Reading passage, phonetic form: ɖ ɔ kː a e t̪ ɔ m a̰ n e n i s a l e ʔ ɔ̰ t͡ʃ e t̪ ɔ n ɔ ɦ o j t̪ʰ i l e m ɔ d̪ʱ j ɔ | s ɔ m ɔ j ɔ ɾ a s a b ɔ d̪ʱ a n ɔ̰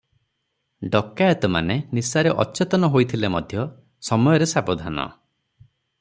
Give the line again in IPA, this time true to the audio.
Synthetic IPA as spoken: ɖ ɔ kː a e t̪ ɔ m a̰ n e n i s a ɾ e ʔ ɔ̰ t͡ʃ e t̪ ɔ n ɔ ɦ o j t̪ʰ i l e m ɔ d̪ʱ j ɔ | s ɔ m ɔ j ɔ ɾ e s a b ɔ d̪ʱ a n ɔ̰